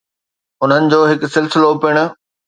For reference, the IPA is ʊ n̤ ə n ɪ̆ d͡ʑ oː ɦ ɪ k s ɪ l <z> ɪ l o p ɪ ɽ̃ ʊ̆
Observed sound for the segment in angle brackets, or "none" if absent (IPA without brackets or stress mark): s